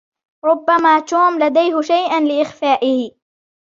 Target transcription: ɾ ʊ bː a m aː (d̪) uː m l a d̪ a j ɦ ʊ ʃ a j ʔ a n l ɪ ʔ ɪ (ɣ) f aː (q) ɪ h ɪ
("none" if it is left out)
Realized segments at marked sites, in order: t̪, x, ʔ

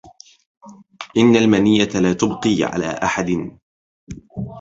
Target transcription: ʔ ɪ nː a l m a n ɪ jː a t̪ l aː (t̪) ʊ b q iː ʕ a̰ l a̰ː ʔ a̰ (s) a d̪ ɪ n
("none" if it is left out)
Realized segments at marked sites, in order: t̪, ħ

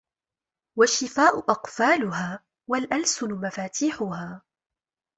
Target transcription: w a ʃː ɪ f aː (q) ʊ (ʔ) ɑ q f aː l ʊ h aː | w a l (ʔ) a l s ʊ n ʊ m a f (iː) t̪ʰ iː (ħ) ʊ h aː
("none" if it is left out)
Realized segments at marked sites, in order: ʔ, ʔ, ʔ, aː, ħ

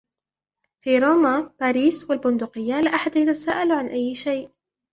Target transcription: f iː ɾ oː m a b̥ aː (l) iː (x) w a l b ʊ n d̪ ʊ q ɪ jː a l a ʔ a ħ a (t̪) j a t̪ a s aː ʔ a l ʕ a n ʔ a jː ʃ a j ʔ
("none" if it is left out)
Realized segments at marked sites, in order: ɾ, s, d̪

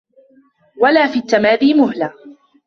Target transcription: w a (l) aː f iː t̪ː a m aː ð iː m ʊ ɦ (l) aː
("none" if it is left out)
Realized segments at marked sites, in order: l, l

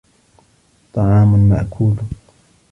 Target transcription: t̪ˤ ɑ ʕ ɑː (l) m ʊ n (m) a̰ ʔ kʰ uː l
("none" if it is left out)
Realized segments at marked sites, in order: none, m

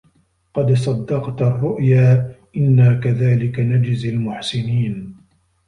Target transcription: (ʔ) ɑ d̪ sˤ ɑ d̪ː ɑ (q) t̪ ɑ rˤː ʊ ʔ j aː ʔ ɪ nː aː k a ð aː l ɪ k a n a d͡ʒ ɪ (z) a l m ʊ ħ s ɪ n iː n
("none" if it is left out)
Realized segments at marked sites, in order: q, q, z

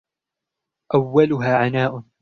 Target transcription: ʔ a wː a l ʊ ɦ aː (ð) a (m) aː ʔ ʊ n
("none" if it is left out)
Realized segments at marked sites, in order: ʕ, n

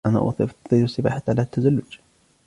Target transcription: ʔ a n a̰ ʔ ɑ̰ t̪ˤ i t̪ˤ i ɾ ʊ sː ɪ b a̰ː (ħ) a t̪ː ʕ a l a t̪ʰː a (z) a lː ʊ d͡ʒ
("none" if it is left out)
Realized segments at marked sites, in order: ħ, z

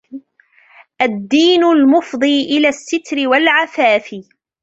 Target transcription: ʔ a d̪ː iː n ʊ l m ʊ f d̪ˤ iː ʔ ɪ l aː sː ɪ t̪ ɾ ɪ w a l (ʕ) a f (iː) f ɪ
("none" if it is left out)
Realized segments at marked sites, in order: ʕ, aː

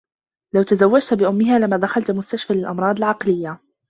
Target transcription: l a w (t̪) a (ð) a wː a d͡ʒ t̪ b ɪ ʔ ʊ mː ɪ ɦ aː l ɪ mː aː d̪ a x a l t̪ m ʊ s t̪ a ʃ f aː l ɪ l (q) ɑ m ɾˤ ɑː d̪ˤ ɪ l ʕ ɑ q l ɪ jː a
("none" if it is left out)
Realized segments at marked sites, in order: t̪, z, ʔ

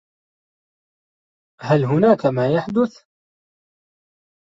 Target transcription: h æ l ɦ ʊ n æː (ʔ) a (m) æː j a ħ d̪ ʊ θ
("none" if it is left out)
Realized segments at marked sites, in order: k, m

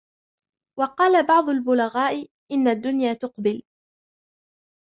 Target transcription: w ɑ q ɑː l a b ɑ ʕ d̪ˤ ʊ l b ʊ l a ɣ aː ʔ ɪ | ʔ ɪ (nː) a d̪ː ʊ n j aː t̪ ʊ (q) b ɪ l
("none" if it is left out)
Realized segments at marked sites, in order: nː, q

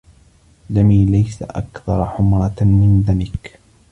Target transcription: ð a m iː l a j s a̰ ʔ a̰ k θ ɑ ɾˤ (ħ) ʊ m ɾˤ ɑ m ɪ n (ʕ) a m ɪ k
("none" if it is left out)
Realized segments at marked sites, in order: ħ, ð

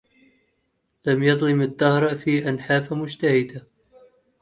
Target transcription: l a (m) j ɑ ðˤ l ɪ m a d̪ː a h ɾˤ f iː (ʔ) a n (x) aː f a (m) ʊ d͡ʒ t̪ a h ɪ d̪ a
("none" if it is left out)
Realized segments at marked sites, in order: m, ʔ, ħ, m

